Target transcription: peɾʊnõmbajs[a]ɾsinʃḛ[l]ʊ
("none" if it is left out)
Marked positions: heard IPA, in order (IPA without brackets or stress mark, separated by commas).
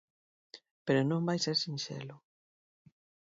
e, l